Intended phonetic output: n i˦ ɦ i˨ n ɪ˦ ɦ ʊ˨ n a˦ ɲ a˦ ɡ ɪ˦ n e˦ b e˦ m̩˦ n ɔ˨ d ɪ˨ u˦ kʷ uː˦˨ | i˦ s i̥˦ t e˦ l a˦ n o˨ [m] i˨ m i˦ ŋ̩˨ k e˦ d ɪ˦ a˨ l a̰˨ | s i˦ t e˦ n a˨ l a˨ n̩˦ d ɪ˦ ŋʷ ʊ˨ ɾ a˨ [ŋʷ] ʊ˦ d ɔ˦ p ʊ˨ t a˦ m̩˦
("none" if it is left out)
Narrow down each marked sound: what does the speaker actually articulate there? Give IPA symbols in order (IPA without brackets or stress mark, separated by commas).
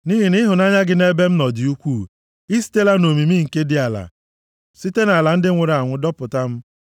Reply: m, ŋʷ